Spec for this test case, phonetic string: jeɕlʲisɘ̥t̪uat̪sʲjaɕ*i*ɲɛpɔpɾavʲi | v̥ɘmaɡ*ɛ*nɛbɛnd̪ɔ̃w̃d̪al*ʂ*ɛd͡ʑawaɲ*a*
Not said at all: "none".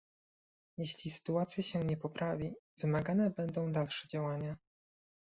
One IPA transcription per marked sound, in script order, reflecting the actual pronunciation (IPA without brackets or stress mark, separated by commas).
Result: ɛ, a, ʂ, a